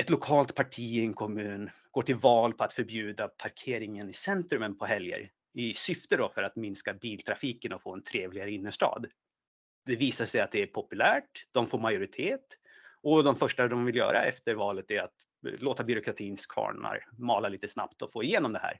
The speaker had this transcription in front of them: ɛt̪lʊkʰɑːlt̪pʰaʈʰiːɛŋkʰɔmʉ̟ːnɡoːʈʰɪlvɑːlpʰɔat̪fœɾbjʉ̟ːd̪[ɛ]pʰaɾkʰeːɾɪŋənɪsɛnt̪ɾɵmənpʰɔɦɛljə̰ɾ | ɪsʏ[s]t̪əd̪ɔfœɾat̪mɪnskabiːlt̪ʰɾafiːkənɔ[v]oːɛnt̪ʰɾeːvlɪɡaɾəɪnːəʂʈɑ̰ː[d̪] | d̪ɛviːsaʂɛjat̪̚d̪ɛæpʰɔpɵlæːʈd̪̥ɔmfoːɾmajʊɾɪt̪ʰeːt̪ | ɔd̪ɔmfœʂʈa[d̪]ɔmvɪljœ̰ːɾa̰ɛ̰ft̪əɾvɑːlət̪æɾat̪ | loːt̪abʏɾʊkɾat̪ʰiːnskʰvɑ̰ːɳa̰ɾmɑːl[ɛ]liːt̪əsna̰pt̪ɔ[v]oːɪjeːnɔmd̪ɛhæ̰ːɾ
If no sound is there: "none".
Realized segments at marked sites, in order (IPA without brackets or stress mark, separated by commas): a, f, f, d̪, d̪, a, f